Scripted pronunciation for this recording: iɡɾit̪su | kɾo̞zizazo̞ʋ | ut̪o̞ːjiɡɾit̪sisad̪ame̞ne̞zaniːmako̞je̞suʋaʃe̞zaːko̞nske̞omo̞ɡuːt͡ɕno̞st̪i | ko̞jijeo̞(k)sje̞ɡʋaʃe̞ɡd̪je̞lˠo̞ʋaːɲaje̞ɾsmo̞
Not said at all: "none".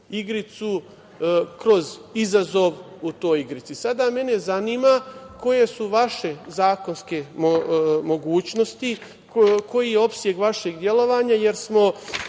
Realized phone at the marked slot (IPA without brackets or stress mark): p